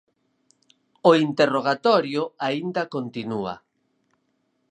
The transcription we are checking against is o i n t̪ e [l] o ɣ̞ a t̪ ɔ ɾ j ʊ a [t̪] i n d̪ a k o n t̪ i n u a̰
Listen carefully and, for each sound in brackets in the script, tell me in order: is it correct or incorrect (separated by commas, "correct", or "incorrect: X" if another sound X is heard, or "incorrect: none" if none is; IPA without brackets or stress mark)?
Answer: incorrect: r, incorrect: none